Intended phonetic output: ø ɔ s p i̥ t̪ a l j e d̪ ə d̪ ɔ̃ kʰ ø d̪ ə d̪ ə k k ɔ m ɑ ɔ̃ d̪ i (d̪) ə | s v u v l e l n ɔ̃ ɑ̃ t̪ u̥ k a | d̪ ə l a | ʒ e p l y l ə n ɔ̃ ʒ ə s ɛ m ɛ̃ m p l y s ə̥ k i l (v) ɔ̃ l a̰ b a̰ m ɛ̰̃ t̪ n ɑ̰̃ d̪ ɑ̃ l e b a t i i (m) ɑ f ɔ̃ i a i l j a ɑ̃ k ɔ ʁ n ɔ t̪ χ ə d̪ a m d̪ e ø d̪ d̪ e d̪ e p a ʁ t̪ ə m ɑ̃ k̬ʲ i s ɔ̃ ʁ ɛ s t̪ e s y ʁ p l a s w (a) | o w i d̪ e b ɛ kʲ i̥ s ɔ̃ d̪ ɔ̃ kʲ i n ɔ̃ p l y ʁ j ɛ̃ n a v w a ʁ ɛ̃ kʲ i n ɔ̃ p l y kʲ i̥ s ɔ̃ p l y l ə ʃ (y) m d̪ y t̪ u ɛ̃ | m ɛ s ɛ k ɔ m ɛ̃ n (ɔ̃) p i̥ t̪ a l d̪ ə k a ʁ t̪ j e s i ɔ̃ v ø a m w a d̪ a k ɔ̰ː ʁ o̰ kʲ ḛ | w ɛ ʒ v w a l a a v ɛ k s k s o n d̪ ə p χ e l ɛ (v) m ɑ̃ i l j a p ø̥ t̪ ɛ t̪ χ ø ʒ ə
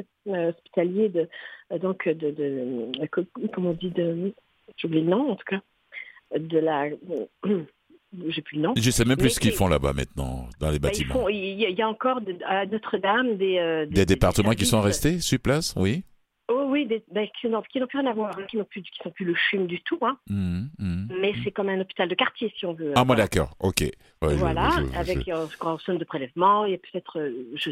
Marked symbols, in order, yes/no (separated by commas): yes, no, yes, no, yes, no, yes